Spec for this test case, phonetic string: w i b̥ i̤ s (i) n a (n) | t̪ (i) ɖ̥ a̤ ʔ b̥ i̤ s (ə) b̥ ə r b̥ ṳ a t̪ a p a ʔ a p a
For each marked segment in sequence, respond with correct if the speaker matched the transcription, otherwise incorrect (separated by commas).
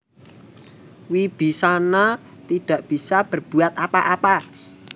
incorrect, incorrect, correct, incorrect